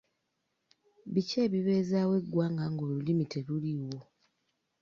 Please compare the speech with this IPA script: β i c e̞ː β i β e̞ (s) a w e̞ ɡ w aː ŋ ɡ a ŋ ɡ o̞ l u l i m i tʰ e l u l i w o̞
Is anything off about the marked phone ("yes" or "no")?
yes